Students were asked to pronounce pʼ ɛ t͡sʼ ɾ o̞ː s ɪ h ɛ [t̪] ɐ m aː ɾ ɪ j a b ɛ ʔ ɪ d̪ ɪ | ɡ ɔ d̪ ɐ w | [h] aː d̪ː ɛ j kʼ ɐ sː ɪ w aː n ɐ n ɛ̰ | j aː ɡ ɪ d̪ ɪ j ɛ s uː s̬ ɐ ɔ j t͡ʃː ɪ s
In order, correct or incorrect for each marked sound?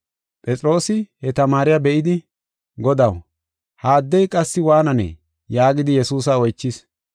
correct, correct

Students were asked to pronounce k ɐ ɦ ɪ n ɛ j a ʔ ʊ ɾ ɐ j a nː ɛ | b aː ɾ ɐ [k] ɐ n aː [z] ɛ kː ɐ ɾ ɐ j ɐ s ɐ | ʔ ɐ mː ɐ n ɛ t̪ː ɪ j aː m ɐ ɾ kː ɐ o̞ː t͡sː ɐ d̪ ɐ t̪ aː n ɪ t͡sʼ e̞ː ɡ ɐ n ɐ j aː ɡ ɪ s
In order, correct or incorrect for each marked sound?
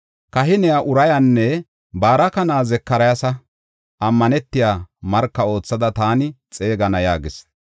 correct, correct

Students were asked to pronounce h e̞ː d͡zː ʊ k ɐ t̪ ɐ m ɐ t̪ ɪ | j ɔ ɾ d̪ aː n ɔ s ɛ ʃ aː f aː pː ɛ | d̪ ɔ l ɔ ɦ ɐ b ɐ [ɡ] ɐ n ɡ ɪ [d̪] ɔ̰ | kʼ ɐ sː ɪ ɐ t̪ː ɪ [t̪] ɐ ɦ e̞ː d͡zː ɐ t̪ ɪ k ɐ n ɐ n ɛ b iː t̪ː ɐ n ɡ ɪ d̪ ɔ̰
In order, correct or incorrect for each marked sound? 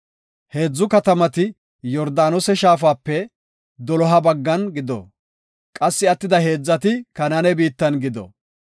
incorrect: ɡː, correct, incorrect: d̪

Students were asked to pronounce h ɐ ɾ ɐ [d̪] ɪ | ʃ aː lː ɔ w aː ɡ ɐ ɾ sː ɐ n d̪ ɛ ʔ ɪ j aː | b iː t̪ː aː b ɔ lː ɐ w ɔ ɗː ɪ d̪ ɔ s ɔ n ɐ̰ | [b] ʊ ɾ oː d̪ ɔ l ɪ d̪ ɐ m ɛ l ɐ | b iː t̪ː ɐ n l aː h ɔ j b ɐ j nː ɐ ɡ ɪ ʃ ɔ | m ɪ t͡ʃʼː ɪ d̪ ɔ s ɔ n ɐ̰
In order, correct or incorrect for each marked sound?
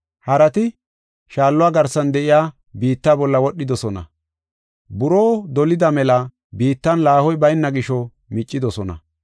incorrect: t̪, correct

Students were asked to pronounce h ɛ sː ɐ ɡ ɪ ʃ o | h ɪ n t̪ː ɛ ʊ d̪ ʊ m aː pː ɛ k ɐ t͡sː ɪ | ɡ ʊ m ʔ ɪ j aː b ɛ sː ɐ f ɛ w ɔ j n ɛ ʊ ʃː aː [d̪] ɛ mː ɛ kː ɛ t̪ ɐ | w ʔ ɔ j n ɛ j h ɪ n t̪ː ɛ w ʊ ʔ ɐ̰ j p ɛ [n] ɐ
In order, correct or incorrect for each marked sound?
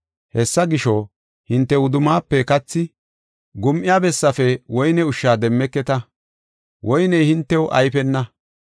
correct, incorrect: nː

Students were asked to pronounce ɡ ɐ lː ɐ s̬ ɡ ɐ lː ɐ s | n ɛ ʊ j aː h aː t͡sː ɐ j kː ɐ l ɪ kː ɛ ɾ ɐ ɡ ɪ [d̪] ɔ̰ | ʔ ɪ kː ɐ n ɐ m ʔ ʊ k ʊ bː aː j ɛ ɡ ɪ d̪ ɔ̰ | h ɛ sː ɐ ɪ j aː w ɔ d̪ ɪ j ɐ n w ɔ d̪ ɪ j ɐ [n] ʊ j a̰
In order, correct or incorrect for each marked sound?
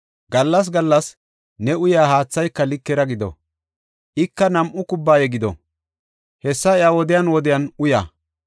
correct, correct

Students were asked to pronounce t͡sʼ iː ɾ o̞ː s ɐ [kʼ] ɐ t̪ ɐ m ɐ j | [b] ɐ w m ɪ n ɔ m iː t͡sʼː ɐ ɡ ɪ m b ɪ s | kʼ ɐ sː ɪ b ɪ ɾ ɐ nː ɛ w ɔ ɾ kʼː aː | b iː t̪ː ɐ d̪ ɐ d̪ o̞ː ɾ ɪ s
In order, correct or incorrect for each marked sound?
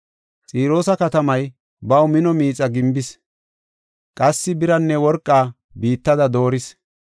incorrect: k, correct

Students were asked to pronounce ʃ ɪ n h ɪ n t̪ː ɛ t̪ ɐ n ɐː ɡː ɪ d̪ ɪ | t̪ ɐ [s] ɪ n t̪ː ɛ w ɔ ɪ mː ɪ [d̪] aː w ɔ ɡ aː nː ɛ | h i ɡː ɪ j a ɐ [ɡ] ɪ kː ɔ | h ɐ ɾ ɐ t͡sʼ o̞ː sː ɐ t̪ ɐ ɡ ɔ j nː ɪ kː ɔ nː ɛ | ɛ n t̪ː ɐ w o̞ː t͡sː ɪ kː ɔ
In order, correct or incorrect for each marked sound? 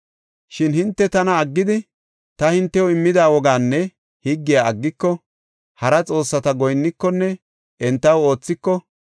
incorrect: h, correct, incorrect: ɡː

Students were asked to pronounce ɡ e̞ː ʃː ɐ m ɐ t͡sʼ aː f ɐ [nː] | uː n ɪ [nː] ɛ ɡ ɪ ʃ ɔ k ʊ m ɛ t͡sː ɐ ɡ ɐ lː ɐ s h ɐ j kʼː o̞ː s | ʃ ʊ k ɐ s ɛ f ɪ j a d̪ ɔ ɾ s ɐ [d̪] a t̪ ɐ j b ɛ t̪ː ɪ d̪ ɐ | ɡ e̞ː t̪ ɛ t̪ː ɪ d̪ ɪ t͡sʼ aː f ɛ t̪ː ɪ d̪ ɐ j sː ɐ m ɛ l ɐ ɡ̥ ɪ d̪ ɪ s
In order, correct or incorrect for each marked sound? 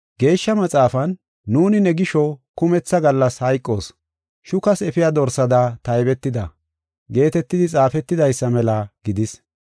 correct, incorrect: n, correct

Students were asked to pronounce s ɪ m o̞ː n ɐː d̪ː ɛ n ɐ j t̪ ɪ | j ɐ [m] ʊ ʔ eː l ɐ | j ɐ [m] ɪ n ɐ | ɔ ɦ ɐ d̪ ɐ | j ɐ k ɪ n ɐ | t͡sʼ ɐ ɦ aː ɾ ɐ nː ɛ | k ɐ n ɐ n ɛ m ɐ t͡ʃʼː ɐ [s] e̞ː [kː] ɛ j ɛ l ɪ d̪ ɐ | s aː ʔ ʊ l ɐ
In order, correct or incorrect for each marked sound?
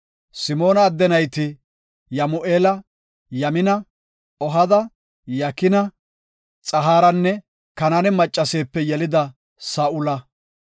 correct, correct, correct, incorrect: pː

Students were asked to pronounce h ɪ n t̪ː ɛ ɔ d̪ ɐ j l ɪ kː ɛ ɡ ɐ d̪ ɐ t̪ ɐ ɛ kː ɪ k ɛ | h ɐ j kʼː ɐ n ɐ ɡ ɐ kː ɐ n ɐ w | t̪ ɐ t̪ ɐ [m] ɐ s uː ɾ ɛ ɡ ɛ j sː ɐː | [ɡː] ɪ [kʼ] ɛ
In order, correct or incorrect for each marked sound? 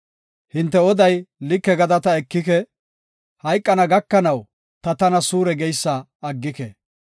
incorrect: n, correct, incorrect: k

